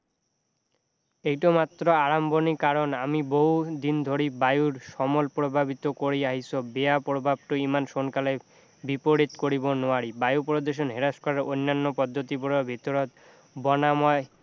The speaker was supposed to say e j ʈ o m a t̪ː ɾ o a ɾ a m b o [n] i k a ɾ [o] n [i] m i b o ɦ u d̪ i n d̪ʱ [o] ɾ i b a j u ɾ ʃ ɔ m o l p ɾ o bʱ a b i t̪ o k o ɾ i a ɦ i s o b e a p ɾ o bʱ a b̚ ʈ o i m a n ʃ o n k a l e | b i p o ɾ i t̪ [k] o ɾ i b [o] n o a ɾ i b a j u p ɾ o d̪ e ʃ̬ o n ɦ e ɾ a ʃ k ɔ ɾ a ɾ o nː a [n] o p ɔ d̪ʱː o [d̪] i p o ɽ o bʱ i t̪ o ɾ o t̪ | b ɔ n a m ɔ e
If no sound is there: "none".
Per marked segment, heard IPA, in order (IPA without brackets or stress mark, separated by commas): n, o, a, o, k, o, nː, t̪